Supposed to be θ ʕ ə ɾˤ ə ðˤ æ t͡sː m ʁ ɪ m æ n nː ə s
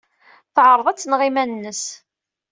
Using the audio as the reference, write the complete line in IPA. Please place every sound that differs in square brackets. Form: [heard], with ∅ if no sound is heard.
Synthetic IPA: θ ʕ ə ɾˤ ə ðˤ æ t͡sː [n] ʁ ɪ m æ n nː ə s

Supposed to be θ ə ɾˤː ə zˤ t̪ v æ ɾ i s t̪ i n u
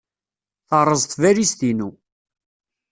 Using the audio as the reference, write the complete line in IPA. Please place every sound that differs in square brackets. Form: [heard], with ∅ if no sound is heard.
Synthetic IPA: θ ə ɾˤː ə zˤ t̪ v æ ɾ i s t̪ i n u

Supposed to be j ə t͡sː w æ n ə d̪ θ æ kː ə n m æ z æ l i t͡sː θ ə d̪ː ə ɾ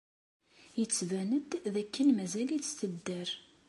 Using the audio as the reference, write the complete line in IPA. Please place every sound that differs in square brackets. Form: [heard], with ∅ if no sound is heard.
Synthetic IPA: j ə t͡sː [v] æ n ə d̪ [ð] æ kː ə n m æ z æ l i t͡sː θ ə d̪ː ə ɾ

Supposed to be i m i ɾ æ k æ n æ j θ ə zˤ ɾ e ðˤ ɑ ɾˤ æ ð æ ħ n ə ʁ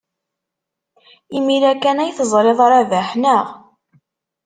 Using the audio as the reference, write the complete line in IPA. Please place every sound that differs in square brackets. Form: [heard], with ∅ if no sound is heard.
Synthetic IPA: i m i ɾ æ k æ n æ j θ ə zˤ ɾ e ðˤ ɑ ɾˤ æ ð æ ħ n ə ʁ

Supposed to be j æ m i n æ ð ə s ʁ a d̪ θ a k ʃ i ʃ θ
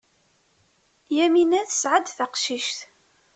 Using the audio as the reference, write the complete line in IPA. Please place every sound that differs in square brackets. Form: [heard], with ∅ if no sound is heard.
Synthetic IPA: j æ m i n æ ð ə s [ʕ] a d̪ θ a [q] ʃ i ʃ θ

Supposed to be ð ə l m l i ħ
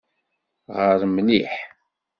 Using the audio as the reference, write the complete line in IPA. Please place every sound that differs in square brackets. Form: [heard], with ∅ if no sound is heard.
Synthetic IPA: [ʁ] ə [ɾ] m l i ħ

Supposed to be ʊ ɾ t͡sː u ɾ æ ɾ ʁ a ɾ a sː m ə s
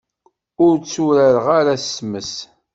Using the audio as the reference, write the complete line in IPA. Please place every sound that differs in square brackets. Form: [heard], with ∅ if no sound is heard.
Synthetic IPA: ʊ ɾ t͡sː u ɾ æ ɾ ʁ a ɾ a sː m ə s

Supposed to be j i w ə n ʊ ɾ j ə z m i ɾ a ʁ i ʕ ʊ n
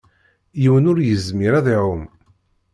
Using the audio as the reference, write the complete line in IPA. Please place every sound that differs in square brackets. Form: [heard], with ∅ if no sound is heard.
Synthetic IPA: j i w ə n ʊ ɾ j ə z m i ɾ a [ð] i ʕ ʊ [m]

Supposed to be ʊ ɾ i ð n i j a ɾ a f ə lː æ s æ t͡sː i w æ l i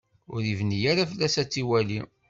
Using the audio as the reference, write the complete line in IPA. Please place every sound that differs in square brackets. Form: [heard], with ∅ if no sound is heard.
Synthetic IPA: ʊ ɾ i [v] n i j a ɾ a f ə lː æ s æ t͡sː i w æ l i

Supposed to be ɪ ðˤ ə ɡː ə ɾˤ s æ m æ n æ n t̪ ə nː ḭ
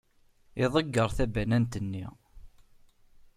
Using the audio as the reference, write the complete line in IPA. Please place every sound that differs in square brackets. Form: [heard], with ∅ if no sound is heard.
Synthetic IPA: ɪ ðˤ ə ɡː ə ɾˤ [θ] æ [b] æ n æ n t̪ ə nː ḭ

